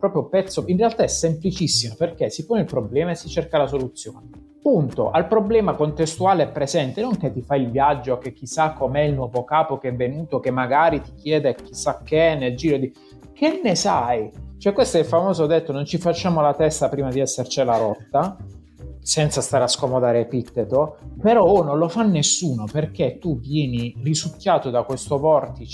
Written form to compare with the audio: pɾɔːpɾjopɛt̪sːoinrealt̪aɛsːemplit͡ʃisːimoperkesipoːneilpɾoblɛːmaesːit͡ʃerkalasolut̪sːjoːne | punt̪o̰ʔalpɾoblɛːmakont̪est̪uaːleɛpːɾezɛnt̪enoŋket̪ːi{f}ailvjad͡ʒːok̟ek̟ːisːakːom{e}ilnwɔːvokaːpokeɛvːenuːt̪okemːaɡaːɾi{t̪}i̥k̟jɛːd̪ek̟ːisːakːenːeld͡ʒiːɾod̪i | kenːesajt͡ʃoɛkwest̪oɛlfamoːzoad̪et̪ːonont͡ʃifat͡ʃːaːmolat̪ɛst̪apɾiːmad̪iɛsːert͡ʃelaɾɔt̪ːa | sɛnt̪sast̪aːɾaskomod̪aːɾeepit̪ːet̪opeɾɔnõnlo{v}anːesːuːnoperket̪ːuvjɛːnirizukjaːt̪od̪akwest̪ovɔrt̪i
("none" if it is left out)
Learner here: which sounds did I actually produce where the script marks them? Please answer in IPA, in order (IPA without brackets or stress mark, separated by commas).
f, ɛ, t̪, f